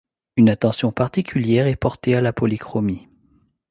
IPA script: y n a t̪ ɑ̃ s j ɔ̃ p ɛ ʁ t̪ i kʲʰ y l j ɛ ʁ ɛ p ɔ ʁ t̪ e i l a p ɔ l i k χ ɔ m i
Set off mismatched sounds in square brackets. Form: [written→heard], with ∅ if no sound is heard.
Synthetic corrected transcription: y n a t̪ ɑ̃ s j ɔ̃ p [ɛ→a] ʁ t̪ i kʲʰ y l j ɛ ʁ ɛ p ɔ ʁ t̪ e [i→a] l a p ɔ l i k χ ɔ m i